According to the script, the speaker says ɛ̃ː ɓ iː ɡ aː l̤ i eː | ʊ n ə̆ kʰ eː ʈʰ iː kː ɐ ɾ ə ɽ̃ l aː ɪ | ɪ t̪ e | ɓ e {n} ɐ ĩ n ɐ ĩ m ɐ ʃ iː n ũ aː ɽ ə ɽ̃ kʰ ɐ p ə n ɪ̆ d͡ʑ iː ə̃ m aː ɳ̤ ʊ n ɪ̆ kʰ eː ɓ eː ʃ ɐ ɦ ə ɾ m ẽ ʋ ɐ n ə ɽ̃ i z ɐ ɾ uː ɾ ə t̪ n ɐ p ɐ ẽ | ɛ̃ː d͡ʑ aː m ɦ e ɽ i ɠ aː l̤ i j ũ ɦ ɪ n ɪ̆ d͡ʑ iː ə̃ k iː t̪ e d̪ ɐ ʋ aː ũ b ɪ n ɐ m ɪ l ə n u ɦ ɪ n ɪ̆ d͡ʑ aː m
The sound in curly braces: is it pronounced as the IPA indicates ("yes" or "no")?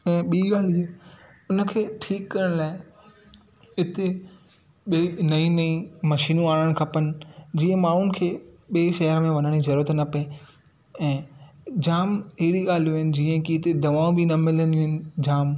yes